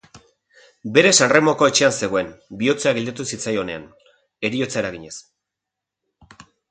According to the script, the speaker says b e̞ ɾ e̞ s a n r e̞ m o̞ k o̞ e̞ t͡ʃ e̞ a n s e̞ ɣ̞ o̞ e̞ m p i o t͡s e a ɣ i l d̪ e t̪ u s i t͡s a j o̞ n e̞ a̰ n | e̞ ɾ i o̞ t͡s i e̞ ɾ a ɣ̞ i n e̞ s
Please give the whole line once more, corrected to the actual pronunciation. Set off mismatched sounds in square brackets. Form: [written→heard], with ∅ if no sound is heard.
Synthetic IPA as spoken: b e̞ ɾ e̞ s a n r e̞ m o̞ k o̞ e̞ t͡ʃ e̞ a n s e̞ ɣ̞ o̞ e̞ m [p→b] i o t͡s e a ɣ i l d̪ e t̪ u s i t͡s a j o̞ n e̞ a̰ n | e̞ ɾ i o̞ t͡s [i→a] e̞ ɾ a ɣ̞ i [n→ɲ] e̞ s

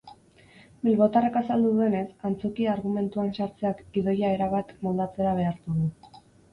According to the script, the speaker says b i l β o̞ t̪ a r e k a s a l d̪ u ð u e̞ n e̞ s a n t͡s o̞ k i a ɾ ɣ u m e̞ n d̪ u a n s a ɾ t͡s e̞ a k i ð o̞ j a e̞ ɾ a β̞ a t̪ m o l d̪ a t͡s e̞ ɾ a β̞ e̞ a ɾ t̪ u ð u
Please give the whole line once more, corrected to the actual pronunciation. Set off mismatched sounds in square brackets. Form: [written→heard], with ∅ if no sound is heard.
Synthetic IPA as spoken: b i l β o̞ t̪ a r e k a s a l d̪ u ð u e̞ n e̞ s a n t͡s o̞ k i a ɾ ɣ u m e̞ n [d̪→t̪] u a n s a ɾ t͡s e̞ a k i ð o̞ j a e̞ ɾ a β̞ a t̪ m o l d̪ a t͡s e̞ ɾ a β̞ e̞ a ɾ t̪ u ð u

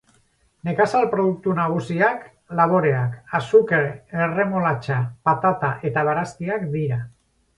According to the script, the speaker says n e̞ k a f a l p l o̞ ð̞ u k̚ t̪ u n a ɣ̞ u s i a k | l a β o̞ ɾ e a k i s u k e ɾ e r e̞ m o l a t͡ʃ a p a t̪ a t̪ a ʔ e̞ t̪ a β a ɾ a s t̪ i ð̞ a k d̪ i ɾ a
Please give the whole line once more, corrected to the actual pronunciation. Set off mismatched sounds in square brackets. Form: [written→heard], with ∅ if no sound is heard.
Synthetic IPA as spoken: n e̞ k a [f→s] a l p [l→ɾ] o̞ ð̞ u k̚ t̪ u n a ɣ̞ u s i a k | l a β o̞ ɾ e a k [i→a] s u k e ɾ e r e̞ m o l a t͡ʃ a p a t̪ a t̪ a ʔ e̞ t̪ a β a ɾ a s t̪ i [ð̞→∅] a k d̪ i ɾ a

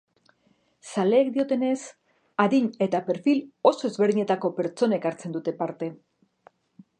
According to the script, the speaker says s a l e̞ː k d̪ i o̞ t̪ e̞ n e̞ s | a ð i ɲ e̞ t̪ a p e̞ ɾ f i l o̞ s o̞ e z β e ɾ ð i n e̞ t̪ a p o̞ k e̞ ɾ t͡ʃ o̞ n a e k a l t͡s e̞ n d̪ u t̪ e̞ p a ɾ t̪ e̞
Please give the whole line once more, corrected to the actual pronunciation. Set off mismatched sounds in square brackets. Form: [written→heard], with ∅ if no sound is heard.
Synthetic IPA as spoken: s a l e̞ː k d̪ i o̞ t̪ e̞ n e̞ s | a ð i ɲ e̞ t̪ a p e̞ ɾ f i l o̞ s o̞ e z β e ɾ ð i [n→ɲ] e̞ t̪ a [p→k] o̞ [k→p] e̞ ɾ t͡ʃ o̞ n a e k a [l→ɾ] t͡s e̞ n d̪ u t̪ e̞ p a ɾ t̪ e̞

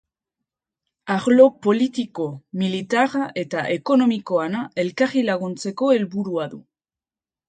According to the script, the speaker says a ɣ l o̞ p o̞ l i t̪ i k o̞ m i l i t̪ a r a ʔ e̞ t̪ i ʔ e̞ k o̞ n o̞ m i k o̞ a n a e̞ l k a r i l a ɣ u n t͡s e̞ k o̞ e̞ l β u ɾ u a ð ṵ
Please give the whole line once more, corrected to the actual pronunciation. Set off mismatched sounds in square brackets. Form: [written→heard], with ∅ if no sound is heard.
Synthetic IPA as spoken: a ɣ l o̞ p o̞ l i t̪ i k o̞ m i l i t̪ a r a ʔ e̞ t̪ [i→a] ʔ e̞ k o̞ n o̞ m i k o̞ a n a e̞ l k a r i l a ɣ u n t͡s e̞ k o̞ e̞ l β u ɾ u a ð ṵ

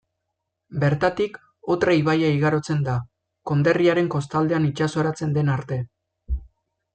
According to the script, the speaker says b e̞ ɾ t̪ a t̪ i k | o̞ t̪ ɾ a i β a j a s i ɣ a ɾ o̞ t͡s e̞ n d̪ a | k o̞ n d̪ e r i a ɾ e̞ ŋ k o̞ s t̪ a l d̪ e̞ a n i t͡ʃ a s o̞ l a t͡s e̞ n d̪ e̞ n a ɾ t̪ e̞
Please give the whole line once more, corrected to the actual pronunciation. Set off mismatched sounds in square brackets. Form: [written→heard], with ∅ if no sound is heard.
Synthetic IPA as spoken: b e̞ ɾ t̪ a t̪ i k | o̞ t̪ ɾ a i β a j a [s→∅] i ɣ a ɾ o̞ t͡s e̞ n d̪ a | k o̞ n d̪ e r i a ɾ e̞ ŋ k o̞ s t̪ a l d̪ e̞ a n i t͡ʃ a s o̞ [l→ɾ] a t͡s e̞ n d̪ e̞ n a ɾ t̪ e̞

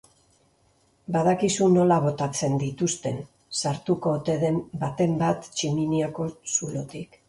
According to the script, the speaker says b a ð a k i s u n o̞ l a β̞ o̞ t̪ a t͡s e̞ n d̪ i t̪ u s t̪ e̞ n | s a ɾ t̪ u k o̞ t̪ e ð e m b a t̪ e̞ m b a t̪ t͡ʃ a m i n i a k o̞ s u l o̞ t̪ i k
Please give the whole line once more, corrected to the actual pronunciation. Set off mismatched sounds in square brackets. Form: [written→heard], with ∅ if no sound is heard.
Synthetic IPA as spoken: b a ð a k i s u n o̞ l a β̞ o̞ t̪ a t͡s e̞ n d̪ i t̪ u s t̪ e̞ n | s a ɾ t̪ u k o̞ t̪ e ð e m b a t̪ e̞ m b a t̪ t͡ʃ [a→i] m i n i a k o̞ s u l o̞ t̪ i k

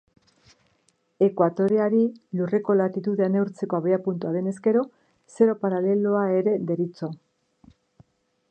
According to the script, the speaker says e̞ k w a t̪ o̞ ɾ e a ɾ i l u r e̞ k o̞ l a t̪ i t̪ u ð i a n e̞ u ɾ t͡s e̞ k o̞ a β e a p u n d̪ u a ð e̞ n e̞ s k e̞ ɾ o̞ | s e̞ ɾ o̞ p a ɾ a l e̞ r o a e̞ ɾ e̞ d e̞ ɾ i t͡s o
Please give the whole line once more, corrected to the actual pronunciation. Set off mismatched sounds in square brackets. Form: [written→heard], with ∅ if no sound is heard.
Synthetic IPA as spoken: e̞ k w a t̪ o̞ ɾ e a ɾ i l u r e̞ k o̞ l a t̪ i t̪ u ð [i→e] a n e̞ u ɾ t͡s e̞ k o̞ a β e a p u n [d̪→t̪] u a ð e̞ n e̞ s k e̞ ɾ o̞ | s e̞ ɾ o̞ p a ɾ a l e̞ [r→l] o a e̞ ɾ e̞ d e̞ ɾ i t͡s o

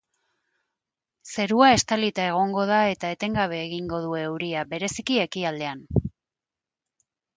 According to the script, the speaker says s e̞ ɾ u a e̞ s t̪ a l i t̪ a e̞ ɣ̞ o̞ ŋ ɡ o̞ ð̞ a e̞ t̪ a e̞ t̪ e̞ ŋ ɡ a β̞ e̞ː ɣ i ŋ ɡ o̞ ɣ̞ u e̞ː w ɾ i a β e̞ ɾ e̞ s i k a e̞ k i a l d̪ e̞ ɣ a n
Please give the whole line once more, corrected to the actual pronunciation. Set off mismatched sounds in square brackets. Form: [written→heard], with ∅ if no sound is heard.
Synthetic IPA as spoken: s e̞ ɾ u a e̞ s t̪ a l i t̪ a e̞ ɣ̞ o̞ ŋ ɡ o̞ ð̞ a e̞ t̪ a e̞ t̪ e̞ ŋ ɡ a β̞ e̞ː ɣ i ŋ ɡ o̞ [ɣ̞→ð̞] u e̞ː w ɾ i a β e̞ ɾ e̞ s i k [a→i] e̞ k i a l d̪ e̞ [ɣ→∅] a n

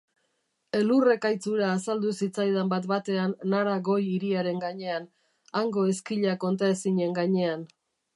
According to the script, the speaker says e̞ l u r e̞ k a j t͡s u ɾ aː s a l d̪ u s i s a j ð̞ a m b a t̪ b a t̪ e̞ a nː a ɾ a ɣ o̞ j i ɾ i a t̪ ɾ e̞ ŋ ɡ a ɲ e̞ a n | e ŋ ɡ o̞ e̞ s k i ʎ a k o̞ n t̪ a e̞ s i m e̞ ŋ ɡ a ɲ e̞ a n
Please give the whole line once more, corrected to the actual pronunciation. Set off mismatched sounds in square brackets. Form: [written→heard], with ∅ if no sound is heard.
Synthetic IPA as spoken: e̞ l u r e̞ k a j t͡s u ɾ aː s a l d̪ u s i [s→t͡s] a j ð̞ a m b a t̪ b a t̪ e̞ a nː a ɾ a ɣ o̞ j i ɾ i a [t̪→∅] ɾ e̞ ŋ ɡ a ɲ e̞ a n | [e→a] ŋ ɡ o̞ e̞ s k i ʎ a k o̞ n t̪ a e̞ s i [m→ɲ] e̞ ŋ ɡ a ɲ e̞ a n

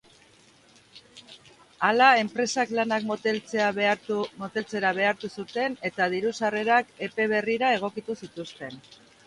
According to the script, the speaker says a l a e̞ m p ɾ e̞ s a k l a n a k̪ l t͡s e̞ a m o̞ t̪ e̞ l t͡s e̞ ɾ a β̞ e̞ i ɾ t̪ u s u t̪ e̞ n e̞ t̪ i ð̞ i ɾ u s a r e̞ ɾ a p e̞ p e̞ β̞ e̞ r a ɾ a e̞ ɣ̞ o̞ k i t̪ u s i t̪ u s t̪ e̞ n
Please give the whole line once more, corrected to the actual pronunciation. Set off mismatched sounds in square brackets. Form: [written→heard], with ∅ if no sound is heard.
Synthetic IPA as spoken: a l a e̞ m p ɾ e̞ s a k l a n a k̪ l t͡s e̞ a m o̞ t̪ e̞ l t͡s e̞ ɾ a β̞ e̞ [i→a] ɾ t̪ u s u t̪ e̞ n e̞ t̪ [i→a] ð̞ i ɾ u s a r e̞ ɾ a [p→k] e̞ p e̞ β̞ e̞ r [a→i] ɾ a e̞ ɣ̞ o̞ k i t̪ u s i t̪ u s t̪ e̞ n

